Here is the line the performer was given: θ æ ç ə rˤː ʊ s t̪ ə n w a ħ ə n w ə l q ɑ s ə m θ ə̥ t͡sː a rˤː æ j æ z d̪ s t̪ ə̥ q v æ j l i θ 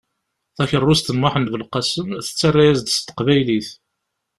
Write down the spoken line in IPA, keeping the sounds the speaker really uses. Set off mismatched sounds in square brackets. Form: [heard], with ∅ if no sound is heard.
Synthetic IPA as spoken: θ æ ç ə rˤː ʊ s t̪ ə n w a ħ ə n [v] ə l q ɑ s ə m θ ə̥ t͡sː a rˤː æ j æ z d̪ s t̪ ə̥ q v æ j l i θ